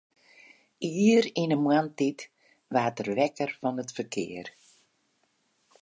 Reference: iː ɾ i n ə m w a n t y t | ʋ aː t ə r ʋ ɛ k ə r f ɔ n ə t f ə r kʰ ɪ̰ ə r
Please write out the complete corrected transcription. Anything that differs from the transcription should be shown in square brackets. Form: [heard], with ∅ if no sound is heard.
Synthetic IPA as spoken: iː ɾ i n ə m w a n t [i] t | ʋ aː t ə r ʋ ɛ k ə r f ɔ n ə t f ə r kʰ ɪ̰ ə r